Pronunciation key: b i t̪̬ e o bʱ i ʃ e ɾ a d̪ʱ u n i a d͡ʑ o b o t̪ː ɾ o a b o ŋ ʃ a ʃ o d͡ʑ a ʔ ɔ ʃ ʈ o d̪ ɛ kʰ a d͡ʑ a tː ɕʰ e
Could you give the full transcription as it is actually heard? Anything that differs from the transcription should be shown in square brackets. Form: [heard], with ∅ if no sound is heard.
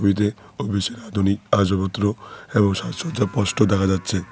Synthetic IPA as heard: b i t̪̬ e o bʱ i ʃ e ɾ a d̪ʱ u n i a d͡ʑ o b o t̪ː ɾ o [e] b o ŋ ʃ a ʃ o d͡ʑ a [p] ɔ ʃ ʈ o d̪ ɛ kʰ a d͡ʑ a tː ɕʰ e